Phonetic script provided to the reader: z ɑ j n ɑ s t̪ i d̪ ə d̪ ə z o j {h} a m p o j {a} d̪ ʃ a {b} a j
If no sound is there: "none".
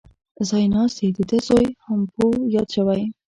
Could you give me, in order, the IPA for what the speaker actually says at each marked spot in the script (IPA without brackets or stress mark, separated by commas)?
h, ɑ, w